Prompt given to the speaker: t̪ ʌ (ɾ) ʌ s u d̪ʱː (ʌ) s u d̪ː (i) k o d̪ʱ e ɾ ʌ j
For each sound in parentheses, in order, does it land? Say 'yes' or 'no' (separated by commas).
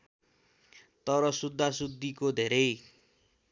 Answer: yes, no, yes